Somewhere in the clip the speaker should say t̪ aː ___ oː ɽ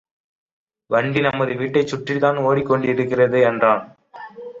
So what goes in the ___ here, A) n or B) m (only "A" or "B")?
A